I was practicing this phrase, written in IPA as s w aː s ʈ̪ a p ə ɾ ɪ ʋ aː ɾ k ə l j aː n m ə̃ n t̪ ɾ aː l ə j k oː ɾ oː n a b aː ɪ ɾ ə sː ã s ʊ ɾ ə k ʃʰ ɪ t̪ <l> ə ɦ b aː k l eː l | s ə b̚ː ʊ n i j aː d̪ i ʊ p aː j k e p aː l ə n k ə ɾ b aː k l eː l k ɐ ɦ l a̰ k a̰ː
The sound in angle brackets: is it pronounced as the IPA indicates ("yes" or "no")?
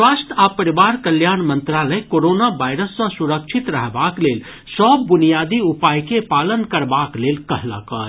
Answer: no